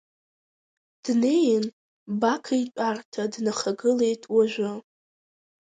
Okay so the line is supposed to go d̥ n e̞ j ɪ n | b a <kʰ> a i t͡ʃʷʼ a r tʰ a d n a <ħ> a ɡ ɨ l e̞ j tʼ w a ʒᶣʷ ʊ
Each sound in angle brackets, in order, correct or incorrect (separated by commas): correct, incorrect